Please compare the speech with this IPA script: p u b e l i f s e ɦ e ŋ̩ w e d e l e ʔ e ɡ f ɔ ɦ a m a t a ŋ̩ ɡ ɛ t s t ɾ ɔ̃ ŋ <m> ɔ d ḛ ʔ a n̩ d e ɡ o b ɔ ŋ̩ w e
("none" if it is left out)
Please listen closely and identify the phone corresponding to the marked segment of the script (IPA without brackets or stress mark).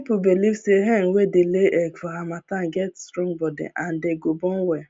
b